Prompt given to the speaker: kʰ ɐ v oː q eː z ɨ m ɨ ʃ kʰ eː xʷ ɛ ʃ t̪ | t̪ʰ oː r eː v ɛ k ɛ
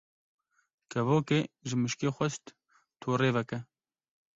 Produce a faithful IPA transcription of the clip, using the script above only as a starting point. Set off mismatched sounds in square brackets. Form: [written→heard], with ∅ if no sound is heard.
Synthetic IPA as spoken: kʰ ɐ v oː [q→k] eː [z→ʒ] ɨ m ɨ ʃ [kʰ→k] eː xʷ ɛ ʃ t̪ | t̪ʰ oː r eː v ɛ k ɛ